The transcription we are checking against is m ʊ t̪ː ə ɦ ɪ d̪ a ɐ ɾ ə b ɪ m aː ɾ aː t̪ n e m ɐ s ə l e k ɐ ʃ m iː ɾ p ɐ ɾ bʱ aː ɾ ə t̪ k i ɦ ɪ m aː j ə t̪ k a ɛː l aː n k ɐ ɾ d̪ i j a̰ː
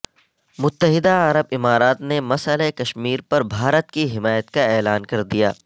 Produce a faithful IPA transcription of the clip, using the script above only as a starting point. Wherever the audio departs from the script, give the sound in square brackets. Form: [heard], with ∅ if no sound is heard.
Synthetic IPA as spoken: m ʊ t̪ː ə ɦ ɪ d̪ a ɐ ɾ ə b ɪ m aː ɾ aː t̪ n e m ɐ s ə l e k ɐ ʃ m iː ɾ p ɐ ɾ bʱ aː ɾ ə t̪ k i ɦ ɪ m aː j ə t̪ k a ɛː l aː n k ɐ ɾ d̪ i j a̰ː

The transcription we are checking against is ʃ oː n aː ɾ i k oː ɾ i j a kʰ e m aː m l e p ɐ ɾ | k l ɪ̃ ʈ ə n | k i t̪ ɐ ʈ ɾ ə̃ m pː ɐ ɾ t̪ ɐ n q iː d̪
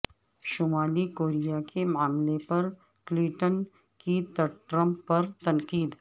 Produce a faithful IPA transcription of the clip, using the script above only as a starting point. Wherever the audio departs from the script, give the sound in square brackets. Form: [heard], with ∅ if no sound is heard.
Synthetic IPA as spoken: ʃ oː [m] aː [l] i k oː ɾ i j a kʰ e m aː m l e p ɐ ɾ | k l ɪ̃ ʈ ə n | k i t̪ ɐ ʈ ɾ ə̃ m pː ɐ ɾ t̪ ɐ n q iː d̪

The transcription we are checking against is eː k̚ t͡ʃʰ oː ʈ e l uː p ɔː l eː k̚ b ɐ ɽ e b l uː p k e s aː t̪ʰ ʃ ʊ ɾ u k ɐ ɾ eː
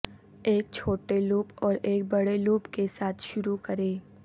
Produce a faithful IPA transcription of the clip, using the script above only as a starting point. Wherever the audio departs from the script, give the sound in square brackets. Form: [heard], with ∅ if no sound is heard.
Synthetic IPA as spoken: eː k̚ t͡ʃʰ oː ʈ e l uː p ɔː [ɾ] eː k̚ b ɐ ɽ e [∅] l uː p k e s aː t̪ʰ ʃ ʊ ɾ u k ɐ ɾ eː

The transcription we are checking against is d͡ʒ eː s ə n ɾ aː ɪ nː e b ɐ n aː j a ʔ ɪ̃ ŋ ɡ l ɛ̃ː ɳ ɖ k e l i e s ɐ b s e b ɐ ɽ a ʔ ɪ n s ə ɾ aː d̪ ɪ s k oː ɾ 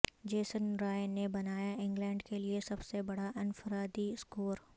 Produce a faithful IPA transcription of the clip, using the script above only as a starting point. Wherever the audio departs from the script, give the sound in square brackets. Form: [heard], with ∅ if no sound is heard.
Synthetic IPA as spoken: d͡ʒ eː s ə n ɾ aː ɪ [n] e b ɐ n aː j a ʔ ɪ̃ ŋ ɡ l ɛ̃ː ɳ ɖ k e l i e s ɐ b s e b ɐ ɽ a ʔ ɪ n [f] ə ɾ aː d̪ [i] s k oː ɾ

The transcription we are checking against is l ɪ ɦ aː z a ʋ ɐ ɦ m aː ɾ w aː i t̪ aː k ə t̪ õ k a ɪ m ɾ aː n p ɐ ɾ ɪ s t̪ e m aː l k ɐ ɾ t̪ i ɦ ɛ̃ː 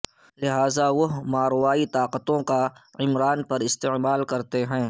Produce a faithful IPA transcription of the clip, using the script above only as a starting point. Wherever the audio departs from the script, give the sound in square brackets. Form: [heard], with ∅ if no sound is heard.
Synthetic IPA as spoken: l ɪ ɦ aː z a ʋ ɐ ɦ m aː ɾ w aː i t̪ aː [q] ə t̪ õ k a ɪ m ɾ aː n p ɐ ɾ ɪ s t̪ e m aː l k ɐ ɾ t̪ [e] ɦ ɛ̃ː

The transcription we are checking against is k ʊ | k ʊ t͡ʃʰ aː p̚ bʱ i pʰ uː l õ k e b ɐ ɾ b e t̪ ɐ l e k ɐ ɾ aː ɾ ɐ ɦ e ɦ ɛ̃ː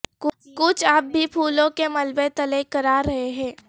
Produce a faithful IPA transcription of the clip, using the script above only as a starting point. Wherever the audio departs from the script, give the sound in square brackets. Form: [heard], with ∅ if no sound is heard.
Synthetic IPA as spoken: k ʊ | k ʊ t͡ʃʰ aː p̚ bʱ i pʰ uː l õ k e [m] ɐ [l] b e t̪ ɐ l e k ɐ ɾ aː ɾ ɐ ɦ e ɦ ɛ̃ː

